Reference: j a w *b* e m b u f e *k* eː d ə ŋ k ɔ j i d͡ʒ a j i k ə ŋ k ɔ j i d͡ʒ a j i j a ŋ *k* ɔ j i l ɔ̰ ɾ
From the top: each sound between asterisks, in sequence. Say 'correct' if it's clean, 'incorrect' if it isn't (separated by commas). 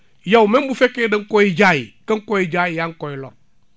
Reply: incorrect, correct, correct